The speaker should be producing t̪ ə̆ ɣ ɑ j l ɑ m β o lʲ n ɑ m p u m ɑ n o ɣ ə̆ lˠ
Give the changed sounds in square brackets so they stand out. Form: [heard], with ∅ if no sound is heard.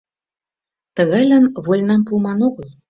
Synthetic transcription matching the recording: t̪ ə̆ ɣ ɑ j l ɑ [n] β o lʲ n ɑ m p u m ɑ n o ɣ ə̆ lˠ